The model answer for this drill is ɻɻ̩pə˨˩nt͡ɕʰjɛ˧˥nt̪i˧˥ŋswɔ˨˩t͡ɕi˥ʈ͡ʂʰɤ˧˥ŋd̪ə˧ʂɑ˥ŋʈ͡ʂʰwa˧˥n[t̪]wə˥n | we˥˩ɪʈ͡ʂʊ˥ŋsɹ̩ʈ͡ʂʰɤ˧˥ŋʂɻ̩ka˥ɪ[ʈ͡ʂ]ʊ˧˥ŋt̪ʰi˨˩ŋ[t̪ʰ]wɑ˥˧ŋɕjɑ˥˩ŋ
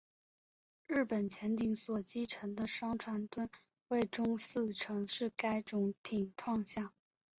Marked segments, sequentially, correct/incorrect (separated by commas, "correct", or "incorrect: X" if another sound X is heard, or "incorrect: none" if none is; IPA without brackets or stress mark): correct, correct, correct